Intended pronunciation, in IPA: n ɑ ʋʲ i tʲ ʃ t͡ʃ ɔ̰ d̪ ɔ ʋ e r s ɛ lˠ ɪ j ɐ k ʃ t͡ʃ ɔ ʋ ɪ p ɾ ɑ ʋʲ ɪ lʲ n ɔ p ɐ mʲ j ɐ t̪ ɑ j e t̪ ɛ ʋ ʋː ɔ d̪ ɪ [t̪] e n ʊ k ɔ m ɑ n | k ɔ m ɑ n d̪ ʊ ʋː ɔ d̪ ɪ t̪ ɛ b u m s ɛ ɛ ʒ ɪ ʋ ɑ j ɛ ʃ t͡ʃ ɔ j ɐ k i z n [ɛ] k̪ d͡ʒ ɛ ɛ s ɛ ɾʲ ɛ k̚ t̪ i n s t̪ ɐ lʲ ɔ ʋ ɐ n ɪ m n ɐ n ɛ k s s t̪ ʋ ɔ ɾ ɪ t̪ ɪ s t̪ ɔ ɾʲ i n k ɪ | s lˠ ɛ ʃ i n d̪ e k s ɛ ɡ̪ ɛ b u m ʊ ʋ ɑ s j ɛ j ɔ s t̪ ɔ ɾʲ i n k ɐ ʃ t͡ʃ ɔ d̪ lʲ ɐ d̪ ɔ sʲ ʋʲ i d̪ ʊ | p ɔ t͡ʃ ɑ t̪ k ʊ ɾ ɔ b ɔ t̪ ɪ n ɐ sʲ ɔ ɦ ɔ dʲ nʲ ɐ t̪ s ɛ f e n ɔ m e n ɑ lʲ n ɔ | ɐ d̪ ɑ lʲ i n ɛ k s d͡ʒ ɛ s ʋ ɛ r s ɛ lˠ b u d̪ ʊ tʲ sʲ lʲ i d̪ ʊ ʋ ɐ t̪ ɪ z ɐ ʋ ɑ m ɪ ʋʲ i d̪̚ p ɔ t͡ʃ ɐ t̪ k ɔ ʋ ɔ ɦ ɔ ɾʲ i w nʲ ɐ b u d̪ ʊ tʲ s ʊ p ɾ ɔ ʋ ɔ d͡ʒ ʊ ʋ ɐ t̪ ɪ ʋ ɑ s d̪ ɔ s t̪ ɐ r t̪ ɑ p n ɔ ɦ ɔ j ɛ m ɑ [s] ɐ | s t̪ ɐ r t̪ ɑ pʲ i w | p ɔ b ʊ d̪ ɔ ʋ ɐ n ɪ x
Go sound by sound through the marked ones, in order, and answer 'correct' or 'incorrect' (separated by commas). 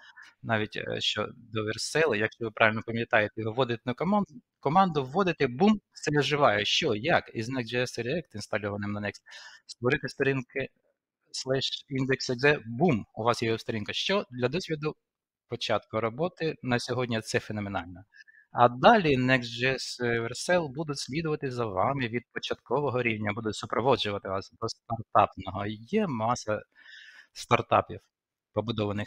correct, correct, correct